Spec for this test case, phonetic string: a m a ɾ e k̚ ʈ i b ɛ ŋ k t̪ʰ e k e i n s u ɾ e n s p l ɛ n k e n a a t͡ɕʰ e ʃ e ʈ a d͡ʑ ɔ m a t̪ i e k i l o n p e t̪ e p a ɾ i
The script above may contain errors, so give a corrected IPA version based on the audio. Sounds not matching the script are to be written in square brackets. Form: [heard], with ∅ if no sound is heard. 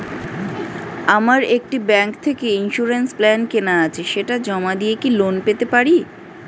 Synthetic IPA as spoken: a m a ɾ e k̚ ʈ i b ɛ ŋ k t̪ʰ e k e i n [ʃ] u ɾ e n s p l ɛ n k e n a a t͡ɕʰ e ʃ e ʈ a d͡ʑ ɔ m a [d̪] i e k i l o n p e t̪ e p a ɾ i